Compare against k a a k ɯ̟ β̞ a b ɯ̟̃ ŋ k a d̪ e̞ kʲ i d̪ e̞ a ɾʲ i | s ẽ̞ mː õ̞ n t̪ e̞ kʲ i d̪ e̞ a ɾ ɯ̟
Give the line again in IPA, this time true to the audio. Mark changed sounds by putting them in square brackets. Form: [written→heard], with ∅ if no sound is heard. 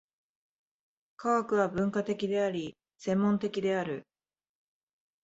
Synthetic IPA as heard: k a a k ɯ̟ β̞ a b ɯ̟̃ ŋ k a [d̪→t̪] e̞ kʲ i d̪ e̞ a ɾʲ i | s ẽ̞ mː õ̞ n t̪ e̞ kʲ i d̪ e̞ a ɾ ɯ̟